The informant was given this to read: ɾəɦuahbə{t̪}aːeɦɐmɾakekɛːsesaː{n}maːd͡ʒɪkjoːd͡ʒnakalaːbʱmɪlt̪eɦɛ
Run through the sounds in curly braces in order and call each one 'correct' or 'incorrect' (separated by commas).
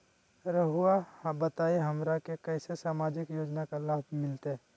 correct, incorrect